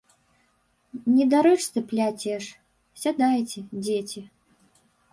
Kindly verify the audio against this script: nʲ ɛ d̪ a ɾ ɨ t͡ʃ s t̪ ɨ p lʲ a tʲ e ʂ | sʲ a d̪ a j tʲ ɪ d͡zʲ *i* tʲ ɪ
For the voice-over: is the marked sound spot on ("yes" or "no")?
no